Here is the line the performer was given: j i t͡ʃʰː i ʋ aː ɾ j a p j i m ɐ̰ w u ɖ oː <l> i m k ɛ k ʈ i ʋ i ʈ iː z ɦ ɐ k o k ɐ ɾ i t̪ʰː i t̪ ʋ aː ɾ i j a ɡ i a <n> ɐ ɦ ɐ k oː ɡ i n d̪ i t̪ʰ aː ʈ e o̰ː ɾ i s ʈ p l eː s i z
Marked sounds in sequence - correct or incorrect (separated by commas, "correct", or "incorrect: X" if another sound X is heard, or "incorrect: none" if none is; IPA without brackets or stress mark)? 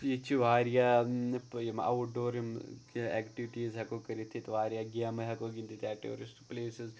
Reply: incorrect: ɾ, incorrect: m